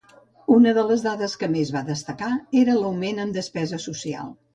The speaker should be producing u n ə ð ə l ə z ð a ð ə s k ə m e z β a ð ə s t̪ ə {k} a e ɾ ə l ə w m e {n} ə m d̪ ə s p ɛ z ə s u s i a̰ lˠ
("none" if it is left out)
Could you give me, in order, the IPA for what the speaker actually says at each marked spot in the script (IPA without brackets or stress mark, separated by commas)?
k, n